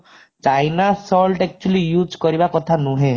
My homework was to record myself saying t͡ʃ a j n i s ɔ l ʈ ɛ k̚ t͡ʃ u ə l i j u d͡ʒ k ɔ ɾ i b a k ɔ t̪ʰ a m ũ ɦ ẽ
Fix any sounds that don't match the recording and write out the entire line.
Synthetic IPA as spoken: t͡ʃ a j n a s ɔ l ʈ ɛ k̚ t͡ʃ u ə l i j u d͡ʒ k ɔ ɾ i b a k ɔ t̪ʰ a n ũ ɦ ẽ